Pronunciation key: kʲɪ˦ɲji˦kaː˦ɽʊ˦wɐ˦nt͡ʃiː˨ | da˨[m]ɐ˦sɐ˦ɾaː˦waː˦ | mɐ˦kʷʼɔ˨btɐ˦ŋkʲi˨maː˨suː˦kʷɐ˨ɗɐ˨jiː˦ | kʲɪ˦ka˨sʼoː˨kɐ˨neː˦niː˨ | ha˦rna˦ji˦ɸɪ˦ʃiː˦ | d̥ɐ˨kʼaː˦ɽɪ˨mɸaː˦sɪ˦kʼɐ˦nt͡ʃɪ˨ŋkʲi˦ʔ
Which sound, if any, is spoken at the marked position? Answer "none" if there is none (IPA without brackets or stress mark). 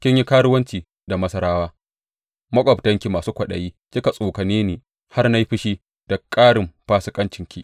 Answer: m